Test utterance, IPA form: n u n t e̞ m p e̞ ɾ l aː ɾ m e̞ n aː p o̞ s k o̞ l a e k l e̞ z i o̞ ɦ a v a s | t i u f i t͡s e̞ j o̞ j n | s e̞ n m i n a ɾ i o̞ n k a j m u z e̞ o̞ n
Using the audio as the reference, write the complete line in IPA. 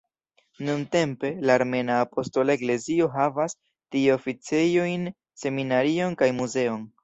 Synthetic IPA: n u n t e̞ m p e̞ l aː ɾ m e̞ n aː p o̞ s t o̞ l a e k l e̞ z i o̞ ɦ a v a s | t i o f i t͡s e̞ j o̞ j n | s e̞ m i n a ɾ i o̞ n k a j m u z e̞ o̞ n